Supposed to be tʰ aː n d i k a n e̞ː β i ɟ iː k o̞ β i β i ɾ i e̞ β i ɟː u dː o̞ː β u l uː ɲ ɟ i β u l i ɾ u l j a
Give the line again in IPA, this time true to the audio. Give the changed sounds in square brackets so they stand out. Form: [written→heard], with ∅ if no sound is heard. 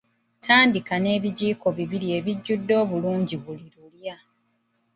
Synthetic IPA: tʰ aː n d i k a n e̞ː β i ɟ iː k o̞ β i β i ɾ i e̞ β i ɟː u dː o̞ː β u l uː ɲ ɟ i β u l i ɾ u l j a